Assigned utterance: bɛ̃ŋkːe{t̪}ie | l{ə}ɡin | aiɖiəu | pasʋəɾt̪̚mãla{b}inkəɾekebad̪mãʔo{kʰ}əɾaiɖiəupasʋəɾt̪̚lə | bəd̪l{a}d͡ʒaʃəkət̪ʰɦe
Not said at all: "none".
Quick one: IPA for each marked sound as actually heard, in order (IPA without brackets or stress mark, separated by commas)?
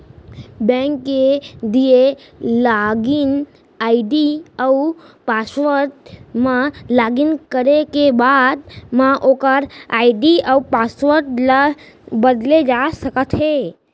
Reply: d̪, a, ɡ, k, e